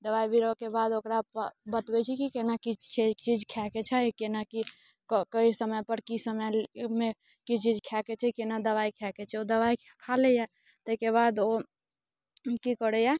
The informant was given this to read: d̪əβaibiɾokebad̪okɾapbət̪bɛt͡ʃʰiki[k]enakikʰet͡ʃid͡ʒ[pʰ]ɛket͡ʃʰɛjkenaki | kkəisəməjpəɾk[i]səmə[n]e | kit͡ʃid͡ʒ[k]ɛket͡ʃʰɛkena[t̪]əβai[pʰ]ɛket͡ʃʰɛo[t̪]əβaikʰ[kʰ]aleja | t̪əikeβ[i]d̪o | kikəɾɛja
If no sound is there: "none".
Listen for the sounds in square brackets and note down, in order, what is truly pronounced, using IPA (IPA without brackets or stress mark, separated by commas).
k, kʰ, i, m, kʰ, d̪, kʰ, d̪, kʰ, a